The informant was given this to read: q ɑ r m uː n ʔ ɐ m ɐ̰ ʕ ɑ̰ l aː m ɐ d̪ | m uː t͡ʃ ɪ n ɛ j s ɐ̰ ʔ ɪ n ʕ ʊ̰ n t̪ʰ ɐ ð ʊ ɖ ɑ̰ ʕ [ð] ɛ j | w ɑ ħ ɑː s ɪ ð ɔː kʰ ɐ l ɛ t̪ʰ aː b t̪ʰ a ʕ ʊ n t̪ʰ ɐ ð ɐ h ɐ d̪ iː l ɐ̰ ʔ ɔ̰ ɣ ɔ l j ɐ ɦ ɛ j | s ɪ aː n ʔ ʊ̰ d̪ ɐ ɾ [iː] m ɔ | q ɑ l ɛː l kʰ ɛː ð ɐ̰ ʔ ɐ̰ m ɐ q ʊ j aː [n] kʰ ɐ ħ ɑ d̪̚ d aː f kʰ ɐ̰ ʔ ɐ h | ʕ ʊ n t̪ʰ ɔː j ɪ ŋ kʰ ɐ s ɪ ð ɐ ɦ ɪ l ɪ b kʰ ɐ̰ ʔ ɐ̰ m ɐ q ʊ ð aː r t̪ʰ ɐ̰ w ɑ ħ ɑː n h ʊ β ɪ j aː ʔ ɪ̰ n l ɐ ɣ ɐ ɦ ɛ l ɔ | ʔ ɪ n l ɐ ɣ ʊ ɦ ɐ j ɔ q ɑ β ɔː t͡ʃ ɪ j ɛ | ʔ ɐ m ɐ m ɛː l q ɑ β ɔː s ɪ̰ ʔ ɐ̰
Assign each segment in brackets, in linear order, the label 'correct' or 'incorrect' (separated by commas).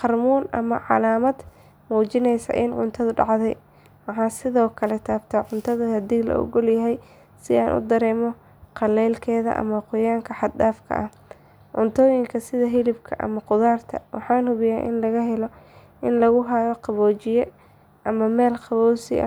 correct, incorrect, incorrect